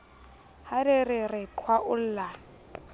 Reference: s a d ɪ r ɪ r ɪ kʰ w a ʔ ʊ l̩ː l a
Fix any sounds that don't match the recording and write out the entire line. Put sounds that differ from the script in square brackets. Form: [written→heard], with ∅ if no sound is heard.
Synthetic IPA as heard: [s→h] a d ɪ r ɪ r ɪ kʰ w a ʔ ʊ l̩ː l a